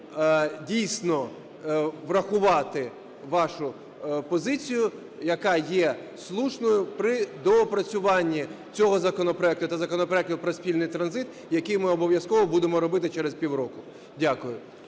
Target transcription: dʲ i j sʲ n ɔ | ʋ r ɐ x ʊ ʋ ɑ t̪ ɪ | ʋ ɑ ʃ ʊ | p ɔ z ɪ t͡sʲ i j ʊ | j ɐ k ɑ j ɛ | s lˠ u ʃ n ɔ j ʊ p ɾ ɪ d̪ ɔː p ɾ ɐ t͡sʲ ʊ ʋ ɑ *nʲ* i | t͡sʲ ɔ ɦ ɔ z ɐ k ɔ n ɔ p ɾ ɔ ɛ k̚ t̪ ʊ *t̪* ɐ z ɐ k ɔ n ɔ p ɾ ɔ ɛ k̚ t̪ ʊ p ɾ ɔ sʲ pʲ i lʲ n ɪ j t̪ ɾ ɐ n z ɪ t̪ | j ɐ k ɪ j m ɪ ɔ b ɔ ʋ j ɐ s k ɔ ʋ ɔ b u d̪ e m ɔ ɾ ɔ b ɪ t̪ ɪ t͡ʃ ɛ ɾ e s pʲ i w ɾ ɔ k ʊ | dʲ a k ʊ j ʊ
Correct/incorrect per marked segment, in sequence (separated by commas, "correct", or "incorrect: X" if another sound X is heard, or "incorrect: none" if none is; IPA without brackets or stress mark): incorrect: nʲː, correct